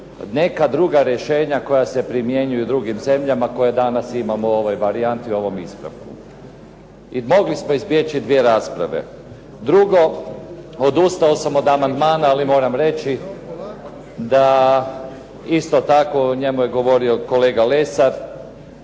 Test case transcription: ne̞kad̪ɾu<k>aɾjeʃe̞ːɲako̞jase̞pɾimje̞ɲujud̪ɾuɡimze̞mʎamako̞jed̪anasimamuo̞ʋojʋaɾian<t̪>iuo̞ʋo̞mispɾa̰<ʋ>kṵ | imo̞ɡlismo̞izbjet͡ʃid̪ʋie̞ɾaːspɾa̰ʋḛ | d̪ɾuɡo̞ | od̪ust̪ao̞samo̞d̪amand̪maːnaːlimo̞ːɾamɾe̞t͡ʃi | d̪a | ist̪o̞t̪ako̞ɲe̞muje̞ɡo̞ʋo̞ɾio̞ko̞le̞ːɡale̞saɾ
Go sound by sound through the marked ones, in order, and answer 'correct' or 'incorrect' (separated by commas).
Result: incorrect, correct, correct